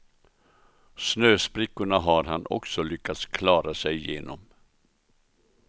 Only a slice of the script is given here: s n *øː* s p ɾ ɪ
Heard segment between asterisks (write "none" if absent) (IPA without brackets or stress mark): øː